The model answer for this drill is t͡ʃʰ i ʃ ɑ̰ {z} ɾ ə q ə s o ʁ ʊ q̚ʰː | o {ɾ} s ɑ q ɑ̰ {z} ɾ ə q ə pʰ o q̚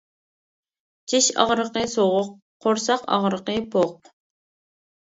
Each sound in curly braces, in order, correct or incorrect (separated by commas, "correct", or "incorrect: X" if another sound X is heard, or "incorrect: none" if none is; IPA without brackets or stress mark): incorrect: ʁ, correct, incorrect: ʁ